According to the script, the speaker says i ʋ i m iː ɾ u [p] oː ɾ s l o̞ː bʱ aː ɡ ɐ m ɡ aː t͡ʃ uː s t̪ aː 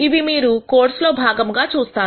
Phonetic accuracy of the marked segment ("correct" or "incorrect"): incorrect